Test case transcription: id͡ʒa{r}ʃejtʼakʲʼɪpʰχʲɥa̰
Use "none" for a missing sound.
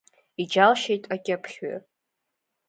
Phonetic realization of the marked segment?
l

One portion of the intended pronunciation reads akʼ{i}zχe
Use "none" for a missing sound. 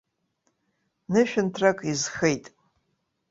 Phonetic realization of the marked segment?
i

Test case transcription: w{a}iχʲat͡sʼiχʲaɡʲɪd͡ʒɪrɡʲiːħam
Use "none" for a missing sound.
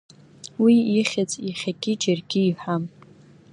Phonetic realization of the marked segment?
i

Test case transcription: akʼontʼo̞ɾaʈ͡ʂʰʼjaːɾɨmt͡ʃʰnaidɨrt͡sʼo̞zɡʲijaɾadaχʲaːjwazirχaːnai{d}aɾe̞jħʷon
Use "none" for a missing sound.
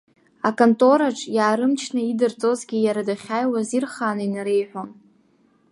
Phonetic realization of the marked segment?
n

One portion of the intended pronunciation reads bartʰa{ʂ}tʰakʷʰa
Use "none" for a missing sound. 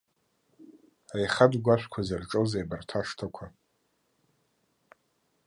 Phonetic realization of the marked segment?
ʂ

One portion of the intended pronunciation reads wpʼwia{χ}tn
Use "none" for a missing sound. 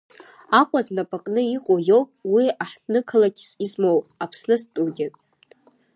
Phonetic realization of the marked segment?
ħ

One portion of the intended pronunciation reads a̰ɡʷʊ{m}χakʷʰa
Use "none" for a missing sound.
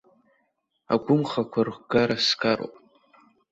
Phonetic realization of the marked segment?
m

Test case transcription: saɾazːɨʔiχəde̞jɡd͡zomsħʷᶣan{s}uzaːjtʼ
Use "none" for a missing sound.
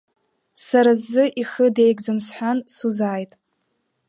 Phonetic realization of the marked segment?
s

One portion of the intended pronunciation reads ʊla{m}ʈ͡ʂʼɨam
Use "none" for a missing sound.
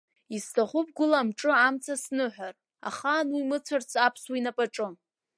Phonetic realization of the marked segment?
m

